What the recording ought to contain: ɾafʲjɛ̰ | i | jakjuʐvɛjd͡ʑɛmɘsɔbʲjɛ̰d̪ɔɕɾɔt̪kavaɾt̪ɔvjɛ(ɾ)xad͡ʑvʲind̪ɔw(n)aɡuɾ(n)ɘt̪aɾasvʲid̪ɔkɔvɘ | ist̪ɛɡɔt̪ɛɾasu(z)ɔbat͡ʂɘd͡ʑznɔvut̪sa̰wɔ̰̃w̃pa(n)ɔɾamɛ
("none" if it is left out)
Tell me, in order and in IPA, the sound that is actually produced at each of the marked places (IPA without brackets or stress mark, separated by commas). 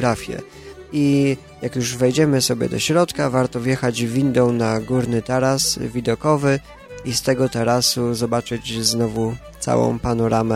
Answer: none, n, n, z, n